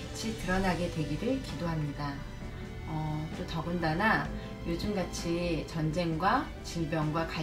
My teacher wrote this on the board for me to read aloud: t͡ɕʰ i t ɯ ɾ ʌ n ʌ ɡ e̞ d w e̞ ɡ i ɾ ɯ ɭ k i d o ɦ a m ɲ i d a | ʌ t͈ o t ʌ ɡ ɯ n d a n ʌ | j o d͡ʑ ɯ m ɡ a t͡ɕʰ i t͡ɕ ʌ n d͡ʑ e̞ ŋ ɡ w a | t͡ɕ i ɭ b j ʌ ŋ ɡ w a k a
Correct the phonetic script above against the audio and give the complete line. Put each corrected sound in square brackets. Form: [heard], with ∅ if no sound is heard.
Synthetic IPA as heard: t͡ɕʰ i t ɯ ɾ ʌ n [a] ɡ e̞ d w e̞ ɡ i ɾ ɯ ɭ k i d o ɦ a m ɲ i d a | ʌ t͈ o t ʌ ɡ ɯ n d a n [a] | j o d͡ʑ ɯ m ɡ a t͡ɕʰ i t͡ɕ ʌ n d͡ʑ e̞ ŋ ɡ w a | t͡ɕ i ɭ b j ʌ ŋ ɡ w a k a